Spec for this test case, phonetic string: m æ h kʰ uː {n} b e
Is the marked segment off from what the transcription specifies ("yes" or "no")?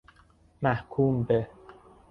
yes